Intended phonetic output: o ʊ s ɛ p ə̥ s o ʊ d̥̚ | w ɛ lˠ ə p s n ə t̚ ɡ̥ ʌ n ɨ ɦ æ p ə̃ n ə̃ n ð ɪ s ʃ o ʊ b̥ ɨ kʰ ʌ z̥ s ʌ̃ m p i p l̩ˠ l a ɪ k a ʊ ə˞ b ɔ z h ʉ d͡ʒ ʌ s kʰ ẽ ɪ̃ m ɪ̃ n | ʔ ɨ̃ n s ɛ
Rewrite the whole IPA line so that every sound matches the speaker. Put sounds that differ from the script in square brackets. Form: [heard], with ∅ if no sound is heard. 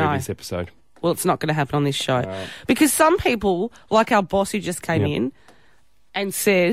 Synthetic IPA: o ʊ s ɛ p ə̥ s o ʊ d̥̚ | w ɛ lˠ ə [t] s n ə t̚ ɡ̥ ʌ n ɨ ɦ æ p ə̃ n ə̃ n ð ɪ s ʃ o ʊ b̥ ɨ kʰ ʌ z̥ s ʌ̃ m [pʰ] i p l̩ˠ l a ɪ k a ʊ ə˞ b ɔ [s] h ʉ d͡ʒ ʌ s kʰ ẽ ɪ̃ m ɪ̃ n | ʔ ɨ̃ n s ɛ